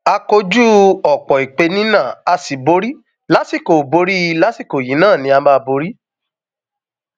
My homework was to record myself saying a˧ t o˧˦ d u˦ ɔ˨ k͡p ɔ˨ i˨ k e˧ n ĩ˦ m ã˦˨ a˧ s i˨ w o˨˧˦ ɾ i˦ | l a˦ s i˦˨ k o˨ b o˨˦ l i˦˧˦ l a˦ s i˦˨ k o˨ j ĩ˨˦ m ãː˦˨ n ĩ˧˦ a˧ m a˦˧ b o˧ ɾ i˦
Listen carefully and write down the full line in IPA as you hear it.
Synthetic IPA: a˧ k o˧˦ d͡ʒ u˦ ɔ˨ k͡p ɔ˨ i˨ k͡p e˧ n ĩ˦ n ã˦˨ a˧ s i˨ b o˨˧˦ ɾ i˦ | l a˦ s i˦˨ k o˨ b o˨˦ ɾ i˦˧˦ l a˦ s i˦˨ k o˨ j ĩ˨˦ n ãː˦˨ n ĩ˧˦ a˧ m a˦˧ b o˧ ɾ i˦